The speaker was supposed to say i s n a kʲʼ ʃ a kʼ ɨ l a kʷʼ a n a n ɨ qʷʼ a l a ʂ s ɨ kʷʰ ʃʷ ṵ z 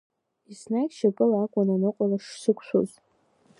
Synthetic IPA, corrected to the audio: i s n a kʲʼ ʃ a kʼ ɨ l a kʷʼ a n a n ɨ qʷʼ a l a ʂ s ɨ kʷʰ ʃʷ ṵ z